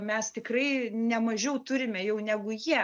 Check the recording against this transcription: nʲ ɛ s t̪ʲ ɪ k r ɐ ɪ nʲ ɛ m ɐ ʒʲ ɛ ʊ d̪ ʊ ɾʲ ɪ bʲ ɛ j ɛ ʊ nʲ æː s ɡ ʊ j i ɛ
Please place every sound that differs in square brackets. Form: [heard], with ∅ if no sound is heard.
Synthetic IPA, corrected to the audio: [mʲ] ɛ s t̪ʲ ɪ k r ɐ ɪ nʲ ɛ m ɐ ʒʲ ɛ ʊ [t̪] ʊ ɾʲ ɪ [mʲ] ɛ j ɛ ʊ nʲ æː [∅] ɡ ʊ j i ɛ